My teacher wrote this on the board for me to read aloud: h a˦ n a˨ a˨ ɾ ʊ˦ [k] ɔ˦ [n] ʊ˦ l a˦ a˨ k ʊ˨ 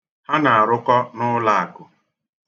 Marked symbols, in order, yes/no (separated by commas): yes, yes